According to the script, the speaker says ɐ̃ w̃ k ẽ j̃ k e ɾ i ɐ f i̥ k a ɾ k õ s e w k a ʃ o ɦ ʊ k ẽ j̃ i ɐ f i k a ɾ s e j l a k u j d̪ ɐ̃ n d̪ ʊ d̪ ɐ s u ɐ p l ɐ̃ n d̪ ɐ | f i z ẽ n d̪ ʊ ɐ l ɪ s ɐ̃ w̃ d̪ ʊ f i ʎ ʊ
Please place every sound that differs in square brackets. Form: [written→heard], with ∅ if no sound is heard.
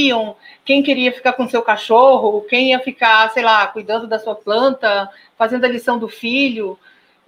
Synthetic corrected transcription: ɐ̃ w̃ k ẽ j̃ k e ɾ i ɐ f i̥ k a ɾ k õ s e w k a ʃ o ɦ ʊ k ẽ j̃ i ɐ f i k a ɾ s e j l a k u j d̪ ɐ̃ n d̪ ʊ d̪ ɐ s u ɐ p l ɐ̃ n [d̪→t̪] ɐ | f [i→a] z ẽ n d̪ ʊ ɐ l [ɪ→i] s ɐ̃ w̃ d̪ ʊ f i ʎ ʊ